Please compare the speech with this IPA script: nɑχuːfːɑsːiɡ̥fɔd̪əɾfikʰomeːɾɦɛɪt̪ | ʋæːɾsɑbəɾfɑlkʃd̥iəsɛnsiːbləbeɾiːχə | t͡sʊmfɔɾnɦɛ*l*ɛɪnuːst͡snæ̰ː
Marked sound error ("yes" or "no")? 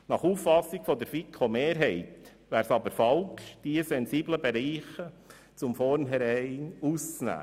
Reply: yes